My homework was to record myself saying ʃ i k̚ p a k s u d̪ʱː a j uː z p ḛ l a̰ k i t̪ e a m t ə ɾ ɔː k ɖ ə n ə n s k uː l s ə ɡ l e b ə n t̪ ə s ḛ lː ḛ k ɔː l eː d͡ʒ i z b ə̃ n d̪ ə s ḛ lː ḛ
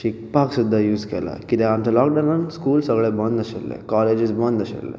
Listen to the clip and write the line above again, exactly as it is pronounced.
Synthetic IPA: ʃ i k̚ p a k s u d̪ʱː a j uː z k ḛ l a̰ k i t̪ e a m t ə l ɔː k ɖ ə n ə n s k uː l s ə ɡ ɭ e b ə n d̪ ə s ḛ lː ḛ k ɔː l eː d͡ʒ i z b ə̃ n d̪ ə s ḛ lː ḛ